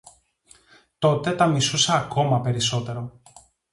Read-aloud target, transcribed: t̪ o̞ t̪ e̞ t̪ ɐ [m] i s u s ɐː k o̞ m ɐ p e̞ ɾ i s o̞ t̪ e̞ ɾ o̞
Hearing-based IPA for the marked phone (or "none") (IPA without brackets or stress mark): m